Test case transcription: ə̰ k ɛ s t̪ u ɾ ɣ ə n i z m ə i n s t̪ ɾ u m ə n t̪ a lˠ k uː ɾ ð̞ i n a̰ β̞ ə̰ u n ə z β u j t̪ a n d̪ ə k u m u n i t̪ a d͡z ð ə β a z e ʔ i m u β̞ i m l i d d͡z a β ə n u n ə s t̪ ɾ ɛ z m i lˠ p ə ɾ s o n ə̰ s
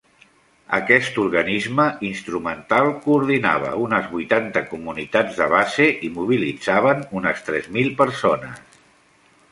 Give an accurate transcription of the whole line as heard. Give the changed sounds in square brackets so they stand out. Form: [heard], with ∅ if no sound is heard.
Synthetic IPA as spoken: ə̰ k ɛ s t̪ u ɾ ɣ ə n i z m ə i n s t̪ ɾ u m ə n t̪ a lˠ k uː ɾ ð̞ i n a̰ β̞ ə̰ u n ə z β u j t̪ a n [t̪] ə k u m u n i t̪ a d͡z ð ə β a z e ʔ i m u β̞ i [∅] l i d d͡z a β ə n u n ə s t̪ ɾ ɛ z m i lˠ p ə ɾ s o n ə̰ s

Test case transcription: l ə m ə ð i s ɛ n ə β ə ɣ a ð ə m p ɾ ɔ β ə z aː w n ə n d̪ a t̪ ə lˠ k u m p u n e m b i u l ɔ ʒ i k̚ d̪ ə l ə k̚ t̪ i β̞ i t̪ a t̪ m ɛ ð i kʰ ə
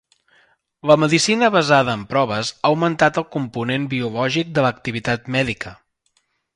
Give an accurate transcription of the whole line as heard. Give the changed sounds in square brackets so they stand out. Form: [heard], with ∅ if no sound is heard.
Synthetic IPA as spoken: l ə m ə ð i s [i] n ə β ə [z] a ð [əː] m p ɾ ɔ β ə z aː w [m] ə n [t̪] a t̪ ə lˠ k u m p u n e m b i u l ɔ ʒ i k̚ d̪ ə l ə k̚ t̪ i β̞ i t̪ a t̪ m ɛ ð i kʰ ə

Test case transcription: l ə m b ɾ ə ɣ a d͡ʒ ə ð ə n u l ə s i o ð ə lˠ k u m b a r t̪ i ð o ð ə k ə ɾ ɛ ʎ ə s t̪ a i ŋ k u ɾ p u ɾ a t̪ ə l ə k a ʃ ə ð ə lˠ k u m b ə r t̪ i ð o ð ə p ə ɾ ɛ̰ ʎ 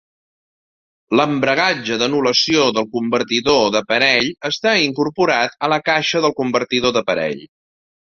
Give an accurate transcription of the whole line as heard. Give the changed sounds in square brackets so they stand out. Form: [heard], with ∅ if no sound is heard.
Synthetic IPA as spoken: l ə m b ɾ ə ɣ a d͡ʒ ə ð ə n u l ə s i o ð ə lˠ k u m b [ə] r t̪ i ð o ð ə [p] ə ɾ ɛ ʎ ə s t̪ a i ŋ k u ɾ p u ɾ a t̪ ə l ə k a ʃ ə ð ə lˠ k u m b ə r t̪ i ð o ð ə p ə ɾ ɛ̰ ʎ

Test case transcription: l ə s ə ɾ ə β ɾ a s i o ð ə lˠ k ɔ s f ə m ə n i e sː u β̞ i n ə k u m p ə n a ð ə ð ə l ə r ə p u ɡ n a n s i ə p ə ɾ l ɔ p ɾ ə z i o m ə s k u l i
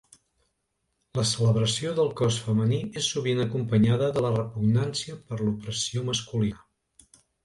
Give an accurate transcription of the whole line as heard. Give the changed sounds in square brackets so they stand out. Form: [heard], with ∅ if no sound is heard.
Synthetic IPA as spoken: l ə s ə [l] ə β ɾ [ə] s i o ð ə lˠ k ɔ s f ə m ə n i e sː u β̞ i n ə k u m p ə [ɲ] a ð ə ð ə l ə r ə p u ɡ n a n s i ə p ə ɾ l [u] p ɾ ə [s] i o m ə s k u l i

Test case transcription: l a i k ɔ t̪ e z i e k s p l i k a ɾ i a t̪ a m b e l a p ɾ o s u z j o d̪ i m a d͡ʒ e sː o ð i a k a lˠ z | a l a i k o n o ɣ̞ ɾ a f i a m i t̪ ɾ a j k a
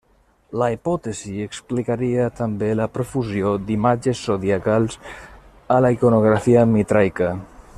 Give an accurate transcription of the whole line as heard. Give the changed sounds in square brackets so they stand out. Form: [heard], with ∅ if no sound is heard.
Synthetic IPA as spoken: l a i [p] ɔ t̪ e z i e k s p l i k a ɾ i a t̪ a m b e l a p ɾ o [f] u z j o d̪ i m a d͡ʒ e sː o ð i a k a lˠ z | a l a i k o n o ɣ̞ ɾ a f i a m i t̪ ɾ a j k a

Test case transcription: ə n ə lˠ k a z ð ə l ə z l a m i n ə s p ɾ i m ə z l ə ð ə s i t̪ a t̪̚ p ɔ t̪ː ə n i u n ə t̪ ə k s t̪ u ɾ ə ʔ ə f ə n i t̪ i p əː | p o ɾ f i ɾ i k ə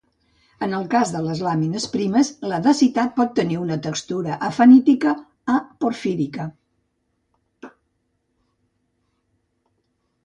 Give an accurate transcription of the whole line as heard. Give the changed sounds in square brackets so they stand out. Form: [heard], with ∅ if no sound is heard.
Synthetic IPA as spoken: ə n ə lˠ k a z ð ə l ə z l a m i n ə s p ɾ i m ə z l ə ð ə s i t̪ a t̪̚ p ɔ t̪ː ə n i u n ə t̪ ə k s t̪ u ɾ ə ʔ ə f ə n i t̪ i [k] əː | p o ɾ f i ɾ i k ə

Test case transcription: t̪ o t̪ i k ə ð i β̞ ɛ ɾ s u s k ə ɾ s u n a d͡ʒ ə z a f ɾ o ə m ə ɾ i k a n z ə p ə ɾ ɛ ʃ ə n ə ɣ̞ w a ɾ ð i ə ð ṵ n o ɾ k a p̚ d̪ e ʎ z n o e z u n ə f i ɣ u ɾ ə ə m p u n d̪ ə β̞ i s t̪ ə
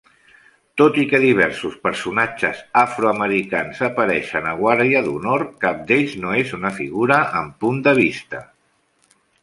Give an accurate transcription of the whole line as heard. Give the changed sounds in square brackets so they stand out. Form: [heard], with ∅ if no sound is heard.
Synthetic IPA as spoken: t̪ o t̪ i k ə ð i β̞ ɛ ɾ s u s [p] ə ɾ s u n a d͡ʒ ə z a f ɾ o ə m ə ɾ i k a n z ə p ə ɾ ɛ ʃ ə n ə ɣ̞ w a ɾ ð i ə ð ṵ n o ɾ k a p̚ d̪ e ʎ z n o e z u n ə f i ɣ u ɾ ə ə m p u n d̪ ə β̞ i s t̪ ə

